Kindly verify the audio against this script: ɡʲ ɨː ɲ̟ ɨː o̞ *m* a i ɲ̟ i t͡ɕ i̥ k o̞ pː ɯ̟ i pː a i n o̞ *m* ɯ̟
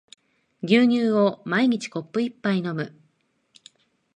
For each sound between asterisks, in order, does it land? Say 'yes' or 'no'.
yes, yes

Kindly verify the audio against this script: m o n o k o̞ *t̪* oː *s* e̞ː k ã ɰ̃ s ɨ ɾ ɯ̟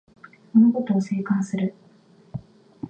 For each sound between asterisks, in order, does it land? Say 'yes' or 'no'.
yes, yes

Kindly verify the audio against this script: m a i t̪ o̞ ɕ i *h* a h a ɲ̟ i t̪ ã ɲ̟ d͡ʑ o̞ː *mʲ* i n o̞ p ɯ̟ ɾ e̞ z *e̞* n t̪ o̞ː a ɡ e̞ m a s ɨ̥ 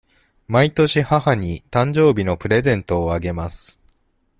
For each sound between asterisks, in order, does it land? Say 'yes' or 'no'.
yes, no, no

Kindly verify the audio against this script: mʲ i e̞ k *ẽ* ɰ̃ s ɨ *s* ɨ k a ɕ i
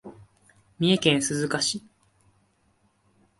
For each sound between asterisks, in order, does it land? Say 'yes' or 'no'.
yes, no

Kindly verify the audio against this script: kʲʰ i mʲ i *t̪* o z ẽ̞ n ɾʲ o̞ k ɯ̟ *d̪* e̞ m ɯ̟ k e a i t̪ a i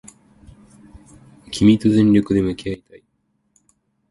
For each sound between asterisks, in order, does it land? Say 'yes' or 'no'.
yes, yes

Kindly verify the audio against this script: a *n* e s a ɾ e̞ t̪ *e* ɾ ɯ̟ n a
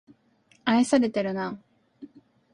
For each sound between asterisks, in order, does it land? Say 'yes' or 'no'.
no, yes

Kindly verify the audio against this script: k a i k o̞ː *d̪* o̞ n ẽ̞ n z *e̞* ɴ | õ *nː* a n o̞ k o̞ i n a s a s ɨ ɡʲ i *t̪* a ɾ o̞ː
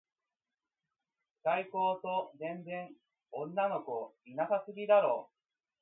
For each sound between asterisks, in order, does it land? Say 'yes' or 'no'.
no, no, yes, no

